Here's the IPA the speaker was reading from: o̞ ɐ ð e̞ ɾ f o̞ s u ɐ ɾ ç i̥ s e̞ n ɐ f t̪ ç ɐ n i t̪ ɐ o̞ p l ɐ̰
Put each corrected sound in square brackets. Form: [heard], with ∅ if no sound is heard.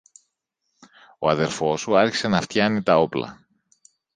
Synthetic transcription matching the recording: o̞ ɐ ð e̞ ɾ f o̞ s u ɐ ɾ ç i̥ s e̞ n ɐ f t̪ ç ɐ n i t̪ ɐ o̞ p l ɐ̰